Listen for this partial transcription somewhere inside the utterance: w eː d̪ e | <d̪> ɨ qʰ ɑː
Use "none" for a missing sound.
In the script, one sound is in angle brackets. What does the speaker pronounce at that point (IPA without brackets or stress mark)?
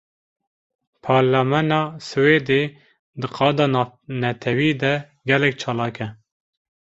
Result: d̪